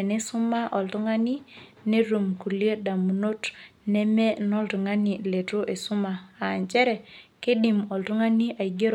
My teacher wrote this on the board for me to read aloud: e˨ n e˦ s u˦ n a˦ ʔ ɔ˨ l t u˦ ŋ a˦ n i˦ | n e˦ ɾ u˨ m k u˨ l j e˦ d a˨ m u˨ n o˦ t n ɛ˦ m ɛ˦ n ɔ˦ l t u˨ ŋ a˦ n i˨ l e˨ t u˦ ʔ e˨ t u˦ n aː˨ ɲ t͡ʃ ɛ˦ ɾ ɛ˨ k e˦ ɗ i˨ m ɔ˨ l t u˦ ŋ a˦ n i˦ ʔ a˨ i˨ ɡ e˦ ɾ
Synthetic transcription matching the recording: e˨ n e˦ s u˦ m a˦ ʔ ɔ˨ l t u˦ ŋ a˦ n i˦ | n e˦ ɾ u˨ m k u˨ l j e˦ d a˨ m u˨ n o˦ t n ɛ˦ m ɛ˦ n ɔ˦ l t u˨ ŋ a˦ n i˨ l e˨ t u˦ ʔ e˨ s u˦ m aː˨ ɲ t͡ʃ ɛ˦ ɾ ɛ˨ k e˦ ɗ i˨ m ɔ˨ l t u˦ ŋ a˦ n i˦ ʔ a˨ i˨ ɡ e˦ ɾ